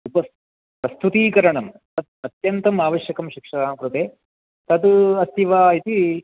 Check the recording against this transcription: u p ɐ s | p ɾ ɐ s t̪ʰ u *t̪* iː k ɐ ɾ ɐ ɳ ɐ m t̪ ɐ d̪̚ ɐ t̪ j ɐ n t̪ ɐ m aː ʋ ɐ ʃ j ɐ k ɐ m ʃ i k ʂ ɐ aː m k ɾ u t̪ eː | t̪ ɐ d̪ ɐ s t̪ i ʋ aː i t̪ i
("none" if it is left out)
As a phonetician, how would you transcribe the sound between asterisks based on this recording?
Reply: t̪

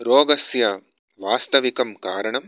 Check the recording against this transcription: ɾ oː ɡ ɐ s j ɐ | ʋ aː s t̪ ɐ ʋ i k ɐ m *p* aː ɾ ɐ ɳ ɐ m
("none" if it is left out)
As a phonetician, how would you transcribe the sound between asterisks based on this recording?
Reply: k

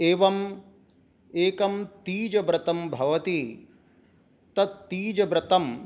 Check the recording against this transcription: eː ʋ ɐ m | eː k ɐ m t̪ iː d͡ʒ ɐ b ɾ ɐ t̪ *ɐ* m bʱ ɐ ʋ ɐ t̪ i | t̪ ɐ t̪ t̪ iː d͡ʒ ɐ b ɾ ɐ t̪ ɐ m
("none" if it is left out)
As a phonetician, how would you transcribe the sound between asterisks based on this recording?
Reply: ɐ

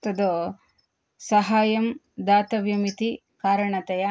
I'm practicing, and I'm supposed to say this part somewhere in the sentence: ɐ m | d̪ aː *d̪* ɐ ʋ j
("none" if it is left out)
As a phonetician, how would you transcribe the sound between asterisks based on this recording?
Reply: t̪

